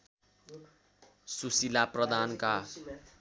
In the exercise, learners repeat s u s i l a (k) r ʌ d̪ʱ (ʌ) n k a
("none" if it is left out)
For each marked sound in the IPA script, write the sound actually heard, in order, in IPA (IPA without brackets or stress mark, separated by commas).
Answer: p, a